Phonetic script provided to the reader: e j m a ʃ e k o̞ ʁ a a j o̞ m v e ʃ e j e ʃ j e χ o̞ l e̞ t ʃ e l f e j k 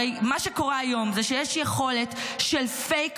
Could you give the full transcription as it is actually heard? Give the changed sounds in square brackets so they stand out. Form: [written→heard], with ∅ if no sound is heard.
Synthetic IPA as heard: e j m a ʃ e k o̞ ʁ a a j o̞ m [v→z] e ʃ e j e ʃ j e χ o̞ l e̞ t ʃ e l f e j k